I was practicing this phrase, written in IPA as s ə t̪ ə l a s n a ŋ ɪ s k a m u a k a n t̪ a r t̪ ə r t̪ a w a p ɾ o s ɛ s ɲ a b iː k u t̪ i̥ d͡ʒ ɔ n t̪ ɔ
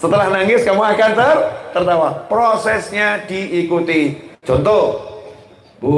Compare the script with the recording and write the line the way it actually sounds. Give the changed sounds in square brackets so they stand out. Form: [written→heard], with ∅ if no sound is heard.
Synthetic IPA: s ə t̪ ə l a [s→h] n a ŋ ɪ s k a m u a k a n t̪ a r t̪ ə r t̪ a w a p ɾ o s ɛ s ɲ a [b→d] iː k u t̪ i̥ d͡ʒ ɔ n t̪ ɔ